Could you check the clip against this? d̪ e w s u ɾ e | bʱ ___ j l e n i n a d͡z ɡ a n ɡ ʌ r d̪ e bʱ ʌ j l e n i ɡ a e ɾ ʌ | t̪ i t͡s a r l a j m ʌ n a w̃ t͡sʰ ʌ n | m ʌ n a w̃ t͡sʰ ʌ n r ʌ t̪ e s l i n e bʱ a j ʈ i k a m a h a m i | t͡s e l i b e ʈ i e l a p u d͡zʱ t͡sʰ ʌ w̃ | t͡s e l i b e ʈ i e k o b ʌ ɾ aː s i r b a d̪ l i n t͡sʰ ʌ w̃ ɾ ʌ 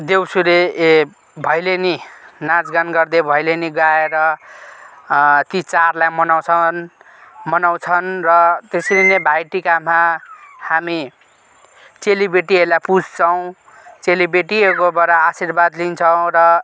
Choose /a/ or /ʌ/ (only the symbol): ʌ